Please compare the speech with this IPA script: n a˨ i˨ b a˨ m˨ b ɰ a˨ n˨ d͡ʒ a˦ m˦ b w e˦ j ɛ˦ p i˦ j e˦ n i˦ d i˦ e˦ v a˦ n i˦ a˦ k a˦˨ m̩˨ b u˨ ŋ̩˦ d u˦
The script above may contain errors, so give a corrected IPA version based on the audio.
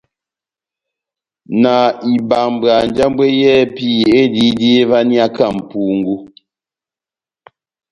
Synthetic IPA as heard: n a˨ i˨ b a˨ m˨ b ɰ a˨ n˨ d͡ʒ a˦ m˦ b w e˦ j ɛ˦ p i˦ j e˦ d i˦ d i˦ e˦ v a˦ n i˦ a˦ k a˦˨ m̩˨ p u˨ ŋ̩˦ ɡ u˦